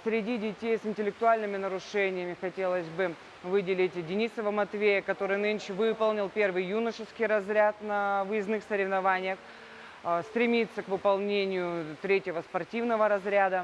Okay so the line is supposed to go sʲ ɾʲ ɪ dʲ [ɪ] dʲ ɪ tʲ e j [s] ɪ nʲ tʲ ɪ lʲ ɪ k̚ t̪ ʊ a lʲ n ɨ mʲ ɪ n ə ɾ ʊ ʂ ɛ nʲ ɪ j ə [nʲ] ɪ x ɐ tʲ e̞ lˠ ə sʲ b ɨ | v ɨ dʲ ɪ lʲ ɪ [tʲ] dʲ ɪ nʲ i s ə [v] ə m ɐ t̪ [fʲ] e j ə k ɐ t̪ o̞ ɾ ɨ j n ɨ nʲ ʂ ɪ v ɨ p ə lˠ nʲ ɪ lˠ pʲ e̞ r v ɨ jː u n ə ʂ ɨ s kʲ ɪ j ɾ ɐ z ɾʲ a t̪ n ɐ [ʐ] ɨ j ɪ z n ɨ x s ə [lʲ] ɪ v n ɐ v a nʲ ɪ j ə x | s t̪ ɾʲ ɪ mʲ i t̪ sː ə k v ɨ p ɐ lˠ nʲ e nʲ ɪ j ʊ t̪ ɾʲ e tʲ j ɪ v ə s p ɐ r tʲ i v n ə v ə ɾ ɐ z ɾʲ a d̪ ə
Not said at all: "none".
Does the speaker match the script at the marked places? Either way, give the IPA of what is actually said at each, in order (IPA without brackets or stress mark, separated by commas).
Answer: i, s, mʲ, tʲ, v, vʲ, v, ɾʲ